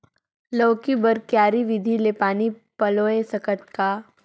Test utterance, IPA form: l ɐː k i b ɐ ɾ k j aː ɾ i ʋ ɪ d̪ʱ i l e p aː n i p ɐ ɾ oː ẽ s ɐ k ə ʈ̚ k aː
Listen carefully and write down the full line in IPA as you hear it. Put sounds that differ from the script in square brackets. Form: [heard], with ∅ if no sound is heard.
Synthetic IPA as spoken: l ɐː k i b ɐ ɾ k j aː ɾ i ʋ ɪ d̪ʱ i l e p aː n i p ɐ [l] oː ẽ s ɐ k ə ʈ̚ k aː